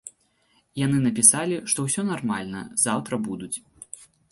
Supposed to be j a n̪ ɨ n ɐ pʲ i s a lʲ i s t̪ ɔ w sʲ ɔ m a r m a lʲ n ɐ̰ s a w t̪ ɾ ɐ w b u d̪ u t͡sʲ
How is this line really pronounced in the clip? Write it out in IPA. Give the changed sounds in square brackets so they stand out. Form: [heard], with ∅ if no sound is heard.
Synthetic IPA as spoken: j a n̪ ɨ n ɐ pʲ i s a lʲ i [ʂ] t̪ ɔ w sʲ ɔ [n] a r m a lʲ n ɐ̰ [z] a w t̪ ɾ ɐ [∅] b u d̪ u t͡sʲ